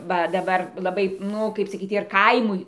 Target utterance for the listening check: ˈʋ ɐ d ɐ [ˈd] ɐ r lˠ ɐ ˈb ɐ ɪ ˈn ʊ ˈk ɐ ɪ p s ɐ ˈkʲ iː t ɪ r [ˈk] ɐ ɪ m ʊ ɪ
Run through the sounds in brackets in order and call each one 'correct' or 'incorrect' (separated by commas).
incorrect, correct